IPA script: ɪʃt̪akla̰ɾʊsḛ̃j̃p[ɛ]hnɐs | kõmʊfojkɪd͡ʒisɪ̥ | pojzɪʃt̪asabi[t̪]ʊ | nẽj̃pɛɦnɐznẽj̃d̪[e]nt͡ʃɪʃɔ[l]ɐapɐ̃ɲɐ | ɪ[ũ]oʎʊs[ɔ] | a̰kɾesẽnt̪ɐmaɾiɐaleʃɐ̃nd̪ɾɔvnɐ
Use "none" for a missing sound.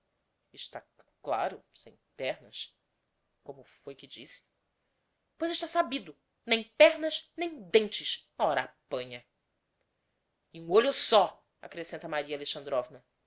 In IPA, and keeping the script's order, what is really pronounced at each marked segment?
ɛ, d̪, ẽ, ɾ, ũ, ɔ

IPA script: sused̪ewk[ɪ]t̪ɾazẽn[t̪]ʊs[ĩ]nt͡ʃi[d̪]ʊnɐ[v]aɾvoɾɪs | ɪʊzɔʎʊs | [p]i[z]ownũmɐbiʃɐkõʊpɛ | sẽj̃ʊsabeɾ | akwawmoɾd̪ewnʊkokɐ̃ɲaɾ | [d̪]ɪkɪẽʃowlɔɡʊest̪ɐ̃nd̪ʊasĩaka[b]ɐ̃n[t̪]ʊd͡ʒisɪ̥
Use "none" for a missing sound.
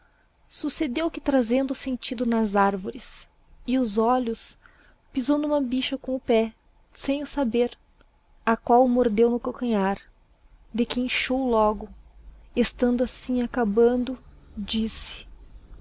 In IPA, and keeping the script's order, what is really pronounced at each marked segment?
ɪ, d̪, ẽ, d̪, z, p, z, d̪, b, d̪

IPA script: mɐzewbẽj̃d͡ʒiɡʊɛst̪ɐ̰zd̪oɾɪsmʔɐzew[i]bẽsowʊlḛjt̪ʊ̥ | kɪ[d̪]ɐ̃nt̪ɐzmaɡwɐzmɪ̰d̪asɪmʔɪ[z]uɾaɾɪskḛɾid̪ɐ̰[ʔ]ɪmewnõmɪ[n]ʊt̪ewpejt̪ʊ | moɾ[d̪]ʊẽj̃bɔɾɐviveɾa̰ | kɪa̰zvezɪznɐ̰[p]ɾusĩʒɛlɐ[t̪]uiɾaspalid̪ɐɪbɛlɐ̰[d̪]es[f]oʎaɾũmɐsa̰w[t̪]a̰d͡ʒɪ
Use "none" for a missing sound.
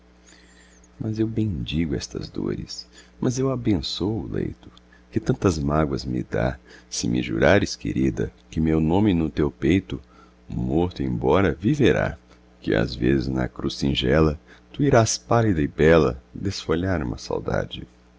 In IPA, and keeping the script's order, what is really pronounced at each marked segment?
a, t̪, ʒ, k, n, t̪, k, t̪, d̪, f, d̪

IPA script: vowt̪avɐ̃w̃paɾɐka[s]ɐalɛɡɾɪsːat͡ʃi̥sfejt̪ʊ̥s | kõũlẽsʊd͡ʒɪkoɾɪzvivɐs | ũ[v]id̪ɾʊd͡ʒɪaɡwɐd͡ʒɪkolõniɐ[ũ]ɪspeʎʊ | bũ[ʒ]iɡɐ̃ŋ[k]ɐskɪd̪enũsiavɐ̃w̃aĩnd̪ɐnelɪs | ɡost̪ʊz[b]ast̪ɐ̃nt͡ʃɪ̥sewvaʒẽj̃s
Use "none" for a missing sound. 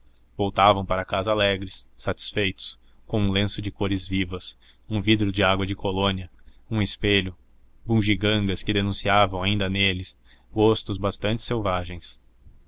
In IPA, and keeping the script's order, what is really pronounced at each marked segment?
z, v, ũ, ʒ, ɡ, b

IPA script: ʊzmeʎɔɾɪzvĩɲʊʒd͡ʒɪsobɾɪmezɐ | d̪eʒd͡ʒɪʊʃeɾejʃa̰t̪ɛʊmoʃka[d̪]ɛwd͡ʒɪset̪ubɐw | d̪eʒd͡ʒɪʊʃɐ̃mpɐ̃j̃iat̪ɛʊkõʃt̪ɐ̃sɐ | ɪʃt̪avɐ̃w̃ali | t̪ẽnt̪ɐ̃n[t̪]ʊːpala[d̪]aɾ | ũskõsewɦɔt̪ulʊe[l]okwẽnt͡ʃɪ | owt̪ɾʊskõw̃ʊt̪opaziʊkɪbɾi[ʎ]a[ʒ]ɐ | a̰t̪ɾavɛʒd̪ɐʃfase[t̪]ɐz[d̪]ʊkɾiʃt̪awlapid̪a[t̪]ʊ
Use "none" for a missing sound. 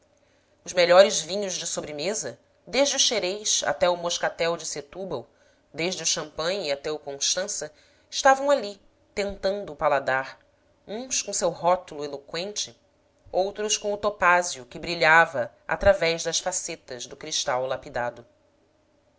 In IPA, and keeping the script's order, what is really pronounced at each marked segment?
t̪, d̪, d̪, l, ʎ, v, t̪, d̪, d̪

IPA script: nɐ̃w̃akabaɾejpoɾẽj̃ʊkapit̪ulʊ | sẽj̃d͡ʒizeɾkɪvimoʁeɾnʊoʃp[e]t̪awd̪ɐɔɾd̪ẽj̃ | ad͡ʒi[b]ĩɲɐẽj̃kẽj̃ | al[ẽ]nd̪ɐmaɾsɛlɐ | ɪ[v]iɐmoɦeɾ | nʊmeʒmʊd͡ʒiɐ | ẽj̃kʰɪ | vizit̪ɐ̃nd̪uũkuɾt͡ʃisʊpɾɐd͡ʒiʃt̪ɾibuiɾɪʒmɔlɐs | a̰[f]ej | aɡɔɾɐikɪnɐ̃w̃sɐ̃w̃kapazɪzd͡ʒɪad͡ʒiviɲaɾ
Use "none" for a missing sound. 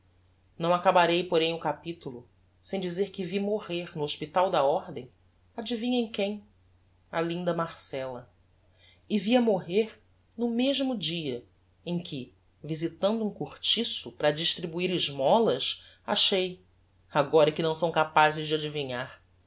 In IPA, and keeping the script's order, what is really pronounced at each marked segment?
i, v, ĩ, v, ʃ

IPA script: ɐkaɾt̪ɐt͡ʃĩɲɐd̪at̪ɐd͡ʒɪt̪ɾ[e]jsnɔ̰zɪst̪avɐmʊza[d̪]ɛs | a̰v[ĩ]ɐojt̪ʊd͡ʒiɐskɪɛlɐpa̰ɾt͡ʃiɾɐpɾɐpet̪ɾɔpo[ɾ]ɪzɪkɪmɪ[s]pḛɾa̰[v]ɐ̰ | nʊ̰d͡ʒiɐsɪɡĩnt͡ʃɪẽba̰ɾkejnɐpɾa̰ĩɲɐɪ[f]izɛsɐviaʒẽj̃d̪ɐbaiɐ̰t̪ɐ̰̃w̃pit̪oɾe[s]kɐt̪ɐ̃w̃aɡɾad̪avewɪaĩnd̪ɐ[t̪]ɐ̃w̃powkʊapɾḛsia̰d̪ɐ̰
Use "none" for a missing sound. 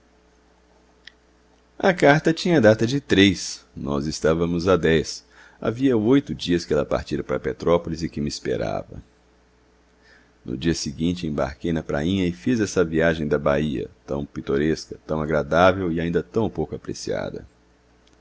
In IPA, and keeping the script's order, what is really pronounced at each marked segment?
e, d̪, i, l, s, v, f, s, t̪

